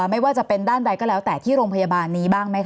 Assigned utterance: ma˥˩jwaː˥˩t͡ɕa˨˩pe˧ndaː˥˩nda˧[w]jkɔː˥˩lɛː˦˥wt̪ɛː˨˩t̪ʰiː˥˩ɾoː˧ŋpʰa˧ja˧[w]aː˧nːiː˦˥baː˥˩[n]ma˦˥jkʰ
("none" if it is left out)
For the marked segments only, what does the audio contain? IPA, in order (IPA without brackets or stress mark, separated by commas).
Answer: none, b, ŋ